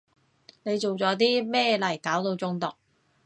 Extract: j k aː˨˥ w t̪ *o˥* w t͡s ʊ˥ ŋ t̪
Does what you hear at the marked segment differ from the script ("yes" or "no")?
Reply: yes